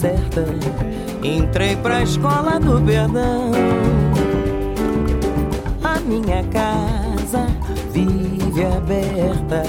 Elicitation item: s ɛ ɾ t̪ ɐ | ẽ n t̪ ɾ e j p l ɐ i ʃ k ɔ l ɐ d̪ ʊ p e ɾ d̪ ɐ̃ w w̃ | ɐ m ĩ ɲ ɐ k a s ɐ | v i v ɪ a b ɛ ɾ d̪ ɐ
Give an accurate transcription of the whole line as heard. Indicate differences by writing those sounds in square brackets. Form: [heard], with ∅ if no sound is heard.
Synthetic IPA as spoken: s ɛ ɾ t̪ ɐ | ẽ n t̪ ɾ e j p [ɾ] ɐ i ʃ k ɔ l ɐ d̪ ʊ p e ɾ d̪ ɐ̃ w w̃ | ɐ m ĩ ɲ ɐ k a [z] ɐ | v i v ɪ a b ɛ ɾ [t̪] ɐ